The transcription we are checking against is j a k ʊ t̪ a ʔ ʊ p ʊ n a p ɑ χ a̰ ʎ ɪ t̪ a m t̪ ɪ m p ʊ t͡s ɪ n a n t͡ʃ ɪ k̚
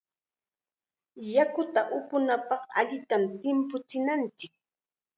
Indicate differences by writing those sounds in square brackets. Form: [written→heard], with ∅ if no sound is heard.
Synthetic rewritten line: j a k ʊ t̪ a ʔ ʊ p ʊ n a p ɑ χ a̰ ʎ ɪ t̪ a m t̪ ɪ m p ʊ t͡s ɪ n a n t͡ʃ ɪ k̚